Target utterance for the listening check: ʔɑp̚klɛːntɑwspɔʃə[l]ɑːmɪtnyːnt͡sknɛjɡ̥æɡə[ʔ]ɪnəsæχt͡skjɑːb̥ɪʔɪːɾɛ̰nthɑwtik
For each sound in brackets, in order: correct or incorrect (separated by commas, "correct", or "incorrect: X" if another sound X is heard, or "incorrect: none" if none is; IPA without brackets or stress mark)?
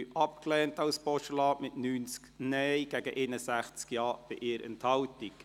correct, correct